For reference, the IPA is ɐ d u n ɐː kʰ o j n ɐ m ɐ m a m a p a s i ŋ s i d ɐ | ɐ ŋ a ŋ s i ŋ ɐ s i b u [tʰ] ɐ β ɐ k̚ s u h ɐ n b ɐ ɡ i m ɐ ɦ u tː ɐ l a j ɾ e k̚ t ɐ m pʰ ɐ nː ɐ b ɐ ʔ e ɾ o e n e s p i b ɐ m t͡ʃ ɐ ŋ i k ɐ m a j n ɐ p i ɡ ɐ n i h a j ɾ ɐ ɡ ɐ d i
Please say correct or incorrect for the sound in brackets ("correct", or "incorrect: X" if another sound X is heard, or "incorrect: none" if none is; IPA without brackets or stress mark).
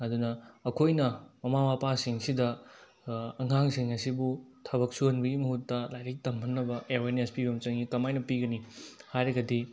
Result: correct